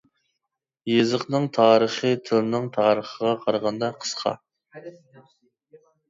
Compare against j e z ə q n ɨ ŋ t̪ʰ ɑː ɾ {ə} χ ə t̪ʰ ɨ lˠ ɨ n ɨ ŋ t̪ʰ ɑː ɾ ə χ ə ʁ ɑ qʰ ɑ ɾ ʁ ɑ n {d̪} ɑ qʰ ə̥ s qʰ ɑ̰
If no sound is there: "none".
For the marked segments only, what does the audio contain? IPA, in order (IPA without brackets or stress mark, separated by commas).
ə, d̪